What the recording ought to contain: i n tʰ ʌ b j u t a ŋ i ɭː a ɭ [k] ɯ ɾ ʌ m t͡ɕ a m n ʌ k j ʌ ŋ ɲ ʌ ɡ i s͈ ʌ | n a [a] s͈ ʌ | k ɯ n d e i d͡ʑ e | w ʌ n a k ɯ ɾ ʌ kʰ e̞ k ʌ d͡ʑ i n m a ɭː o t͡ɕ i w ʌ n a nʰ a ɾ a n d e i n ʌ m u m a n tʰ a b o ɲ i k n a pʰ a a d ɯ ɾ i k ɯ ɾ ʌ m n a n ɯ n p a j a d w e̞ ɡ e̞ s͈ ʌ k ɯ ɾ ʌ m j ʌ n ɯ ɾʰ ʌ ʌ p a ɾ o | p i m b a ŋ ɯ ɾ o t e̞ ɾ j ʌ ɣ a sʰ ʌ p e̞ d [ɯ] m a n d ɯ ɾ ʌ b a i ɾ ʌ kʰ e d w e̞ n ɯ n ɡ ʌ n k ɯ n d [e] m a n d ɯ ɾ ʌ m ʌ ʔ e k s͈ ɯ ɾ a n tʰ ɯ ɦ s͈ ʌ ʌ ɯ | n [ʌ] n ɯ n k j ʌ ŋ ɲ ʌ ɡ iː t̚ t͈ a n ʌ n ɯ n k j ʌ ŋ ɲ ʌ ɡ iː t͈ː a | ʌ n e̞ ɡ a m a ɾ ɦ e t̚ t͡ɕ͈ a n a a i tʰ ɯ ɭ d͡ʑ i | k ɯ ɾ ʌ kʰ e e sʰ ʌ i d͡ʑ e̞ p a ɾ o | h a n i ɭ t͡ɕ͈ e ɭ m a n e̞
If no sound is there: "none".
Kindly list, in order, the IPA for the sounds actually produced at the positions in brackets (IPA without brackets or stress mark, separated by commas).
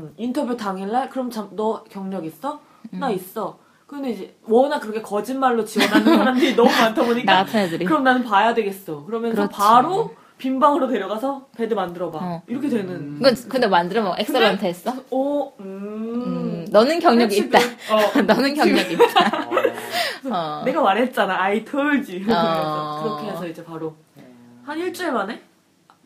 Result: k, i, ɯ, e, ʌ